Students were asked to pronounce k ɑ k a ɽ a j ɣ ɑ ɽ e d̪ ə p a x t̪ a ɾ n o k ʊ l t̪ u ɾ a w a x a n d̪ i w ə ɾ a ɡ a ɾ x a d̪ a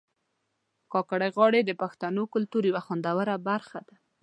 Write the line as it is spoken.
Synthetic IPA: k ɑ k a ɽ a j ɣ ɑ ɽ e d̪ ə p a x t̪ a n o k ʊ l t̪ u ɾ i w a x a n d̪ a w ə ɾ a b a ɾ x a d̪ a